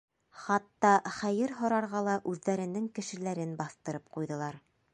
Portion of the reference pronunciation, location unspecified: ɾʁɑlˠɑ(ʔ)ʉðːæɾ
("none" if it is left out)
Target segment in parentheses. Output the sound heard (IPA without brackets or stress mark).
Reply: ʔ